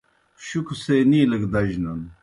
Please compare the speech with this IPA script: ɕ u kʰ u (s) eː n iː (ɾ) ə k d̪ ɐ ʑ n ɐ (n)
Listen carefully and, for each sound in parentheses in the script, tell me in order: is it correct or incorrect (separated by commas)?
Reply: correct, incorrect, correct